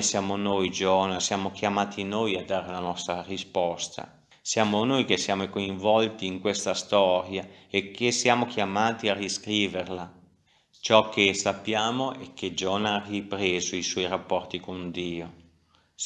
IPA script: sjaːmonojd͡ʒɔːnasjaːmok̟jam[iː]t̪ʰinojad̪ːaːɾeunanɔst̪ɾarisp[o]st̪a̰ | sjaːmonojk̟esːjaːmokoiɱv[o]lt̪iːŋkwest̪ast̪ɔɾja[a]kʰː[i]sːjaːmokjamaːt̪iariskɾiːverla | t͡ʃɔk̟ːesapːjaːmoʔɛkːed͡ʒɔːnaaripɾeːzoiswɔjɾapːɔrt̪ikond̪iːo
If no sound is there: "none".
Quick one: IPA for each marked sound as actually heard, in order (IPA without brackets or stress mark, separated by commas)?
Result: aː, ɔ, ɔ, e, e